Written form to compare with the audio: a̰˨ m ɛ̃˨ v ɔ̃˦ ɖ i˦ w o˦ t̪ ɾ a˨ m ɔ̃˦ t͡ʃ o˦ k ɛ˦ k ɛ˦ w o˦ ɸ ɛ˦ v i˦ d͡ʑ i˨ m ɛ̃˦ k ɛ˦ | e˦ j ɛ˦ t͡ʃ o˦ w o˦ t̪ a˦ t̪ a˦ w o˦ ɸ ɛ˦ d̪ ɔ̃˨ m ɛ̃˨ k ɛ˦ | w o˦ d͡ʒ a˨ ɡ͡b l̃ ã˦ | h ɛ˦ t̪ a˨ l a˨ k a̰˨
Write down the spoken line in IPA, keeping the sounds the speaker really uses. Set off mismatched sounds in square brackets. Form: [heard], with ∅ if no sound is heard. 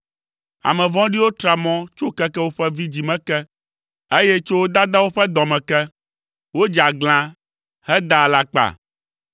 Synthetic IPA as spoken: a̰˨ m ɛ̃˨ v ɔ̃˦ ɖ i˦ w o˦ t̪ ɾ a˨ m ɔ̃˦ t͡ʃ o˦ k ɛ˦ k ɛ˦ w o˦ ɸ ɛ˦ v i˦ d͡ʑ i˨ m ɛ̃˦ k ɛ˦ | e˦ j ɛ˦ t͡ʃ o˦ w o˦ [d̪] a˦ [d̪] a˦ w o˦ ɸ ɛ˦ d̪ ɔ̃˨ m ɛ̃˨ k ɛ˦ | w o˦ d͡ʒ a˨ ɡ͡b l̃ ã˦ | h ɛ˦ [d̪] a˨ l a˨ [k͡p] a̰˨